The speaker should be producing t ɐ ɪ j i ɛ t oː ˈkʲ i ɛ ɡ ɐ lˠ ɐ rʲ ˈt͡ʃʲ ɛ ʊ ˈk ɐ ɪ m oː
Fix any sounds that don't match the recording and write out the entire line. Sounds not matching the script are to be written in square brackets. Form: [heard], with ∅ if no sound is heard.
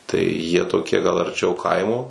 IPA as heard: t ɐ ɪ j i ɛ t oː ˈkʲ i ɛ ɡ ɐ lˠ ɐ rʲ ˈt͡ʃʲ ɛ ʊ ˈk ɐ ɪ m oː